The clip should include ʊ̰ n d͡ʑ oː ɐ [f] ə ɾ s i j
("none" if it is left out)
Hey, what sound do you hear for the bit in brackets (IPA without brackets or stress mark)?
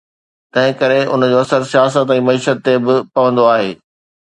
s